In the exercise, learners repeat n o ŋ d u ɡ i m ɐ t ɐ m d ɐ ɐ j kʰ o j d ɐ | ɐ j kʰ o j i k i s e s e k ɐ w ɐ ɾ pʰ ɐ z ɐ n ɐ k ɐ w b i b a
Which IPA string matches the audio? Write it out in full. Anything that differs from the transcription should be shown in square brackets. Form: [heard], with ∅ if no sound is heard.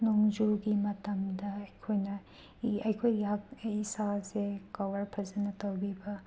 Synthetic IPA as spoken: n o ŋ [d͡ʒ] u ɡ i m ɐ t ɐ m d ɐ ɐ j kʰ o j [n] ɐ | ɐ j kʰ o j [a] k i s [a] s e k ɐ w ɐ ɾ pʰ ɐ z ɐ n ɐ [t] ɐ w b i b [ɐ]